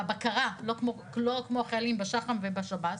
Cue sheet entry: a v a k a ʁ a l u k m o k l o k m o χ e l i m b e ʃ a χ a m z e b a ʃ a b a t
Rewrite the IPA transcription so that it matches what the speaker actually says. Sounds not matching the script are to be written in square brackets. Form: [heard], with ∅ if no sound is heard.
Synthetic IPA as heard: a [b] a k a ʁ a l [o] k m o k l o k m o χ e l i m b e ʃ a χ a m [v] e b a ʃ a b a t